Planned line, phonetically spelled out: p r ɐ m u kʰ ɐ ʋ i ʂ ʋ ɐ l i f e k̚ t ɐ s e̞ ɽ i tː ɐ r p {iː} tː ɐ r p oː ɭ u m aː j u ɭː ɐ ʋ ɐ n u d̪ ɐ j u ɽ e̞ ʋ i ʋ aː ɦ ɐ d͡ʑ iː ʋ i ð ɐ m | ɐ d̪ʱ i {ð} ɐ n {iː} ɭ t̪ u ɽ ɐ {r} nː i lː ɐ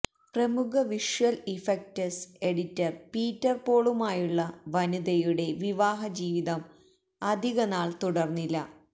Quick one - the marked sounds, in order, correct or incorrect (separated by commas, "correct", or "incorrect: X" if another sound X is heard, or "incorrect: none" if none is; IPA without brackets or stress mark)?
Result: correct, incorrect: ɣ, incorrect: aː, correct